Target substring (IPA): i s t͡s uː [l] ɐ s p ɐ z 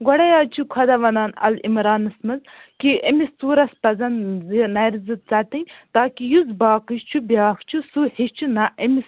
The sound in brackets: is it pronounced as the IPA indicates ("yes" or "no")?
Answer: no